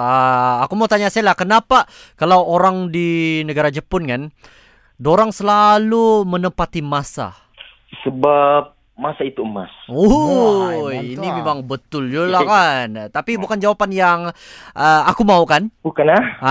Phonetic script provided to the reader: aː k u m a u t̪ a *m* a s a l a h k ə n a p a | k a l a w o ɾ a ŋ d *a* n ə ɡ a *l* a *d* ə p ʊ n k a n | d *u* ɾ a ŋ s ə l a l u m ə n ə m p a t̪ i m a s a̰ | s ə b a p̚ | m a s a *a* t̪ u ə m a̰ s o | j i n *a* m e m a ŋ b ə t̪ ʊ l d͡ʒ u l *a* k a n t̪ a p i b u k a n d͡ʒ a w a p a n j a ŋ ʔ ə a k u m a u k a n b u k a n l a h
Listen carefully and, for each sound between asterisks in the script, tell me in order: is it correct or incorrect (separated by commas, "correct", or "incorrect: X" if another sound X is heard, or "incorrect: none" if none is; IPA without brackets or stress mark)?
incorrect: ɲ, incorrect: i, incorrect: ɾ, incorrect: d͡ʒ, incorrect: o, incorrect: i, incorrect: i, correct